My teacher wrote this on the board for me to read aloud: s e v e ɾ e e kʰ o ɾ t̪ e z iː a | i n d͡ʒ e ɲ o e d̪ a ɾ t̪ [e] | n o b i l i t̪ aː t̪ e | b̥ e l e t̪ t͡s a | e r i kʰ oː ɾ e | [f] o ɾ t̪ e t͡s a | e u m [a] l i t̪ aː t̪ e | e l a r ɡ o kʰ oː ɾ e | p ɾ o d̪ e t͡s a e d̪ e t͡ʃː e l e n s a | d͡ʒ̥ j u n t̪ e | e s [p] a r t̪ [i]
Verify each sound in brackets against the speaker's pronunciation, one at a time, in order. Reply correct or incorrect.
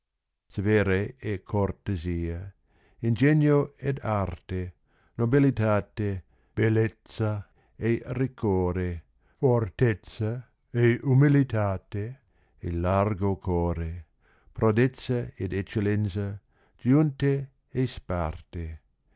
correct, correct, incorrect: i, correct, incorrect: e

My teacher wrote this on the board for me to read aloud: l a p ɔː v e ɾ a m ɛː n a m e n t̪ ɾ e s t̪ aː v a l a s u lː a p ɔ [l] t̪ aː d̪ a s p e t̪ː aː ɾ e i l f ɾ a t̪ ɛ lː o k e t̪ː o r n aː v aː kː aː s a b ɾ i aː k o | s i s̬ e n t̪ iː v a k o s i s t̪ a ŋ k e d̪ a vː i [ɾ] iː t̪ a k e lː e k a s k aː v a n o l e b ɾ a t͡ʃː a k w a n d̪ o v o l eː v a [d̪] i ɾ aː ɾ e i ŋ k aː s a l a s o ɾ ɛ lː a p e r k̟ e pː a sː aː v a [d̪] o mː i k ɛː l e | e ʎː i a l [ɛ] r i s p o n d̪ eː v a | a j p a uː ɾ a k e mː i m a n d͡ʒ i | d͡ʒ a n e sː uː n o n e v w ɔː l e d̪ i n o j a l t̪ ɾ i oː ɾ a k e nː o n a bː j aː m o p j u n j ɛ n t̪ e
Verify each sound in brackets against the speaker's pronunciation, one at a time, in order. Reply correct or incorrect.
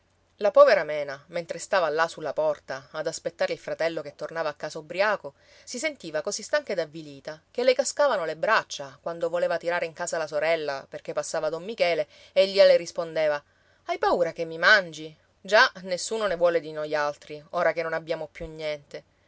incorrect: r, incorrect: l, incorrect: t̪, correct, incorrect: e

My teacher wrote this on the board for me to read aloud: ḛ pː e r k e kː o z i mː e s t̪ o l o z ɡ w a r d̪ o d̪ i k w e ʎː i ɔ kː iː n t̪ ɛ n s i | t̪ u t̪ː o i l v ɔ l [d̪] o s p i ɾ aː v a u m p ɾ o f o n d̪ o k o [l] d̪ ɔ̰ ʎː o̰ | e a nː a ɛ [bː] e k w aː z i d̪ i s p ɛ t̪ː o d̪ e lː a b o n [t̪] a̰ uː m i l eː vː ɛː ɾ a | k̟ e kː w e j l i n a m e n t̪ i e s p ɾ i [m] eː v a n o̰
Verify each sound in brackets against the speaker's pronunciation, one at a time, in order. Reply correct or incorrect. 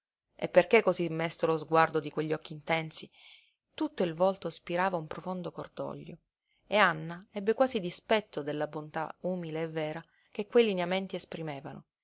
incorrect: t̪, incorrect: r, correct, correct, correct

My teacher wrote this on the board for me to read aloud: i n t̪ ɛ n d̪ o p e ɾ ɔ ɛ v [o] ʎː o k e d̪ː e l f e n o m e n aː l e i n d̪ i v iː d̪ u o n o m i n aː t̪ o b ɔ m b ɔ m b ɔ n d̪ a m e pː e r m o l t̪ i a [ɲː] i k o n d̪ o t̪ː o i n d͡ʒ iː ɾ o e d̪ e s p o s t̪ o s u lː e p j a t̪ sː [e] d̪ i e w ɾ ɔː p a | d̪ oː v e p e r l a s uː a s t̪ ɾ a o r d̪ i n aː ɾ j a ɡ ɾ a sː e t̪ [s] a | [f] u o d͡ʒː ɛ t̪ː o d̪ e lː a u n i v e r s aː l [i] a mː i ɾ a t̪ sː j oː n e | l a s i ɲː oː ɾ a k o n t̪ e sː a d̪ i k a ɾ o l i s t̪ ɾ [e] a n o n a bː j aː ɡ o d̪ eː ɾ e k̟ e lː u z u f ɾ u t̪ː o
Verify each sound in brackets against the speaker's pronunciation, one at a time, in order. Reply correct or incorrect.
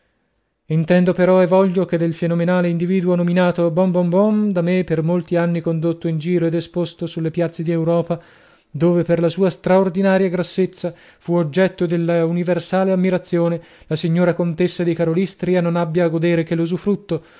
incorrect: ɔ, incorrect: nː, correct, incorrect: sː, correct, incorrect: e, incorrect: i

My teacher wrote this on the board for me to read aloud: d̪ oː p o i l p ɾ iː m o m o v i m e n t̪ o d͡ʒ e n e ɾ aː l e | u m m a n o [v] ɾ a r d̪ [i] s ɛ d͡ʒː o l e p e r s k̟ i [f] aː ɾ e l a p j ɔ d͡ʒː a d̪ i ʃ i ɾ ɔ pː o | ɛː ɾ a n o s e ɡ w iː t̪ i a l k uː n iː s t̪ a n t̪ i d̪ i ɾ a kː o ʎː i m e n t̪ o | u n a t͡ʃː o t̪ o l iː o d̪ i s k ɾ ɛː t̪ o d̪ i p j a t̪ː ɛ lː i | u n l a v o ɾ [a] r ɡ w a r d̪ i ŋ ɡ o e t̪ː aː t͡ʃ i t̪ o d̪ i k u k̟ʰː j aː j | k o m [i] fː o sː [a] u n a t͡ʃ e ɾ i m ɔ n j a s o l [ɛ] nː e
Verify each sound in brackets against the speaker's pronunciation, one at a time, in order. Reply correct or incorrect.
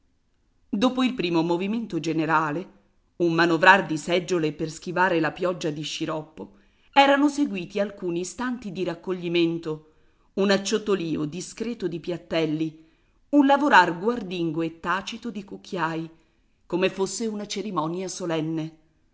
correct, correct, incorrect: v, correct, incorrect: e, incorrect: e, correct

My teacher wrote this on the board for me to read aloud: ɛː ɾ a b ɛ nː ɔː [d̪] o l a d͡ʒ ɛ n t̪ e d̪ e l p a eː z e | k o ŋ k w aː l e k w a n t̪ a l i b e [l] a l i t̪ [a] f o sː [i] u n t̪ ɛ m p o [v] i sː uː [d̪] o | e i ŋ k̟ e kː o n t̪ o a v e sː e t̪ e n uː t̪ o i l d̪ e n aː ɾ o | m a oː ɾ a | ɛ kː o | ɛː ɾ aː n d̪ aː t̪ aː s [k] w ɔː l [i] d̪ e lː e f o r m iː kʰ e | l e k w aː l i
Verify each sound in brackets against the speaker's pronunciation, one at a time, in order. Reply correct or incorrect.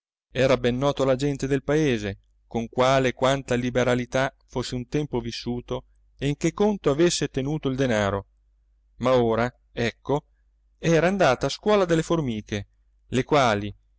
incorrect: t̪, incorrect: ɾ, correct, incorrect: e, correct, incorrect: t̪, correct, incorrect: a

